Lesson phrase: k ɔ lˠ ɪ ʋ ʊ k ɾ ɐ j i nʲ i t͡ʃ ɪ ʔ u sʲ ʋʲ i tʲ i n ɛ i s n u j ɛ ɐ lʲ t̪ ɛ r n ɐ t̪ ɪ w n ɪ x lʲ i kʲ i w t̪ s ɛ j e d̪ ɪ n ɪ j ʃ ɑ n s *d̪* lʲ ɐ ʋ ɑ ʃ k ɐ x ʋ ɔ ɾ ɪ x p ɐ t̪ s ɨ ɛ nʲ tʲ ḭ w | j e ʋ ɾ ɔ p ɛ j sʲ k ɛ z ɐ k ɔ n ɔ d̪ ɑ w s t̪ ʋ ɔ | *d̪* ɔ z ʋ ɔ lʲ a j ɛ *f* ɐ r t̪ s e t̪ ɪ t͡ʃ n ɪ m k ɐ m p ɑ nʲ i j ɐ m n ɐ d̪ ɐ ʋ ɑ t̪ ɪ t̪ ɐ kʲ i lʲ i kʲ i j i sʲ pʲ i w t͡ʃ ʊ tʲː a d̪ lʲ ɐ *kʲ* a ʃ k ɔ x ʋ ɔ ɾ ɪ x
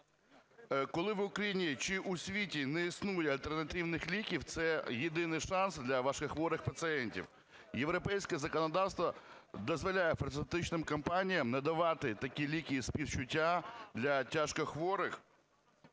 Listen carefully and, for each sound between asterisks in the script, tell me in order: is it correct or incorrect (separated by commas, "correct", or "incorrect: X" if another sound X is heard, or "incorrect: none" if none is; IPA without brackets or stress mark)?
correct, correct, correct, incorrect: tʲ